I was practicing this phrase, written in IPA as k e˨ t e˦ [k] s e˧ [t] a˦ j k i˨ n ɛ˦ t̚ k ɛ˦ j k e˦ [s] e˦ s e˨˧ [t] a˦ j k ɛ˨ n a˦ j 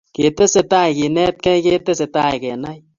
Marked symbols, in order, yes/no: no, yes, no, yes

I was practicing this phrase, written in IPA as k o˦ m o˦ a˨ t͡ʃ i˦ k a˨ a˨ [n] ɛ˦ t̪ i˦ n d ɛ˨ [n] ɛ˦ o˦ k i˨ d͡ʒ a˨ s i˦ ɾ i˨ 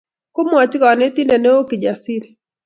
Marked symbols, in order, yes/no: yes, yes

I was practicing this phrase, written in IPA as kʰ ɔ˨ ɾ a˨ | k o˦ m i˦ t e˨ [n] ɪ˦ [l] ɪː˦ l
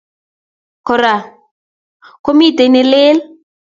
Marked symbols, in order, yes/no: yes, yes

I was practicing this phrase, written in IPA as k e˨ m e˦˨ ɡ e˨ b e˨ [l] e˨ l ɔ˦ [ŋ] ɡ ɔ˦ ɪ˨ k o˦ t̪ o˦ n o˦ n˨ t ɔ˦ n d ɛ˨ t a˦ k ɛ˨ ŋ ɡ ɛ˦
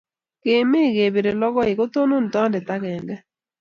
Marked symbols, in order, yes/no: no, no

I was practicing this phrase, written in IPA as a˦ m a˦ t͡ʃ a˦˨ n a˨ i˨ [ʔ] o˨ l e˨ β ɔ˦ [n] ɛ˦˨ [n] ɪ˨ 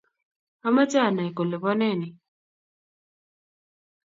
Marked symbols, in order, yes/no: no, yes, yes

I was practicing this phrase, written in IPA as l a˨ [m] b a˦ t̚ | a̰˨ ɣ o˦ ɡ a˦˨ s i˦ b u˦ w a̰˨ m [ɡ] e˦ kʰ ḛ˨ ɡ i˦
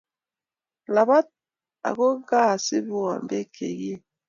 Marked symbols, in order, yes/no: no, no

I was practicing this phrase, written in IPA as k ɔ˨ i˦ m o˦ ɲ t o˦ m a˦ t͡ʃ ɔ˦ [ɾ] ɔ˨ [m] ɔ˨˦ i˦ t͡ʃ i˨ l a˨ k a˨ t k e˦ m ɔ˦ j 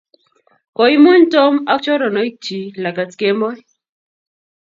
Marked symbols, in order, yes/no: yes, no

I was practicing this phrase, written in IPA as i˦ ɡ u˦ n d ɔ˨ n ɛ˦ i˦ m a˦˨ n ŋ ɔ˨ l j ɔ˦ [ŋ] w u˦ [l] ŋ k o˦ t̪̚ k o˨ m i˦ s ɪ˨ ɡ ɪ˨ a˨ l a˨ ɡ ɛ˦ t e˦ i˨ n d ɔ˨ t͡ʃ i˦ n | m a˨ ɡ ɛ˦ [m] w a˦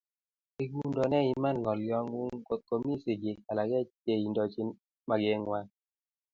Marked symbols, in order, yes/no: yes, no, no

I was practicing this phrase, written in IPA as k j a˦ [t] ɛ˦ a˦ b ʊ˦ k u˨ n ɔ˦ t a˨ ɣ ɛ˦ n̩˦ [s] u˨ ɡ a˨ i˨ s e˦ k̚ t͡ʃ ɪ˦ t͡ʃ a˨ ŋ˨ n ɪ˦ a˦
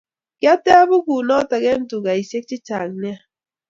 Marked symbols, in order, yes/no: yes, no

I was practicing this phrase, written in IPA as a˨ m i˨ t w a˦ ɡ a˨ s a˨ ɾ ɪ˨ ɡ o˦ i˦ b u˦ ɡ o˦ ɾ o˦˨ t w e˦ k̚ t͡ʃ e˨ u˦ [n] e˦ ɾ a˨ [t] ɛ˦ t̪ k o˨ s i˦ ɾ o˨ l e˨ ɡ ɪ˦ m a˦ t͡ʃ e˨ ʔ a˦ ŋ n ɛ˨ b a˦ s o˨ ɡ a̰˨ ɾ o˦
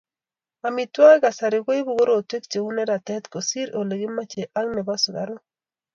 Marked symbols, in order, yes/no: yes, yes

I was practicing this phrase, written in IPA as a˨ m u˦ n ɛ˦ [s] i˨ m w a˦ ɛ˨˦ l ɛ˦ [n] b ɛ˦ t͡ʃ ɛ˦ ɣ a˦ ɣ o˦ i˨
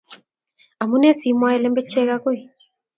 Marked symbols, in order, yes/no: yes, no

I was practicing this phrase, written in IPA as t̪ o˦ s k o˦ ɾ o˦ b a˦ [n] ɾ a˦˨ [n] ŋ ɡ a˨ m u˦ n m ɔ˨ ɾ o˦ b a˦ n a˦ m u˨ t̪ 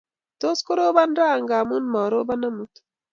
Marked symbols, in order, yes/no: yes, no

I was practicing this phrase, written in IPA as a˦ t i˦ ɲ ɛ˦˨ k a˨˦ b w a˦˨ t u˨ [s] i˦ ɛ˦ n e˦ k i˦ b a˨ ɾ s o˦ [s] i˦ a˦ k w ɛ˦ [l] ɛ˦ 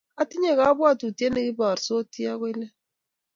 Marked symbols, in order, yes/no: no, no, yes

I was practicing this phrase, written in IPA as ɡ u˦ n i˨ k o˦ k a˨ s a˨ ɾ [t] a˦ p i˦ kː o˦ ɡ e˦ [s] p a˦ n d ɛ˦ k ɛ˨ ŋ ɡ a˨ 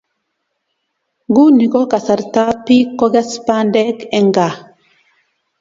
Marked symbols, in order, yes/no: yes, yes

